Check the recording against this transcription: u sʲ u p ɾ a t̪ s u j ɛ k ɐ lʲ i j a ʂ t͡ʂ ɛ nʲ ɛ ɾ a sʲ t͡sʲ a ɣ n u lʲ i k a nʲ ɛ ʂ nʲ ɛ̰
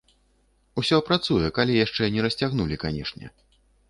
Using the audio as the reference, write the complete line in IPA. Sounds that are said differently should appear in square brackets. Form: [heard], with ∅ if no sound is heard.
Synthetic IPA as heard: u sʲ [ɔ] p ɾ a t̪ s u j ɛ k [a] lʲ i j a ʂ t͡ʂ ɛ nʲ ɛ ɾ [ɐ] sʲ t͡sʲ a ɣ n u lʲ i k a nʲ ɛ ʂ nʲ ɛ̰